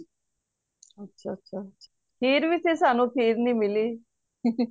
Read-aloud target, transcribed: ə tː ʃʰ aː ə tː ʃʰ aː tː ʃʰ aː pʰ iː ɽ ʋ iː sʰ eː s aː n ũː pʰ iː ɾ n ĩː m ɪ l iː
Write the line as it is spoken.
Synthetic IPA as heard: ə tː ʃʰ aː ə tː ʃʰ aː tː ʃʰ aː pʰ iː ɾ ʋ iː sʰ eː s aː n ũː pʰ iː ɾ n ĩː m ɪ l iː